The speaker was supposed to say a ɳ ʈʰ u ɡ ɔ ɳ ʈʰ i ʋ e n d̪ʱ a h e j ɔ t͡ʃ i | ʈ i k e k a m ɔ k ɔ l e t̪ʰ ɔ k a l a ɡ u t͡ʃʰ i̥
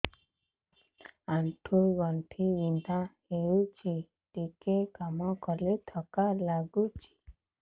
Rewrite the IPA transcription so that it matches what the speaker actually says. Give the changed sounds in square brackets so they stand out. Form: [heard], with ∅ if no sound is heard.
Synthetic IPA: a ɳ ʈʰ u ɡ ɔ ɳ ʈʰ i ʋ [i] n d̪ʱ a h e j [u] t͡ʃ i | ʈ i k e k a m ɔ k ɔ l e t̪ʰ ɔ k a l a ɡ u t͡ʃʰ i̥